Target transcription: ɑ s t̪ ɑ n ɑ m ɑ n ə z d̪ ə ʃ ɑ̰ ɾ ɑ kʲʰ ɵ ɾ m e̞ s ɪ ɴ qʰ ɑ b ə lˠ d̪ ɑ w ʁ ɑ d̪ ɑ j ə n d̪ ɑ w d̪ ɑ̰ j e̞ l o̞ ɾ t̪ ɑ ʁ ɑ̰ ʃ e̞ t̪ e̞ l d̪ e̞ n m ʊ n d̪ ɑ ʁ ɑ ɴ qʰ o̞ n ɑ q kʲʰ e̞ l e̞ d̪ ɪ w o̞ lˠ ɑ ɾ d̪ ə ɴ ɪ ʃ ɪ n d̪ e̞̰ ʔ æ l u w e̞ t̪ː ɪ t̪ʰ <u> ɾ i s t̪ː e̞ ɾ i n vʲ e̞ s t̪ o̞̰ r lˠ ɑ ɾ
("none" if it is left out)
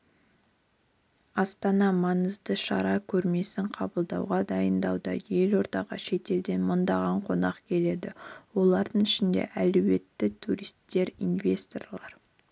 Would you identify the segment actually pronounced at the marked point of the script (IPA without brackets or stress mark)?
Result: u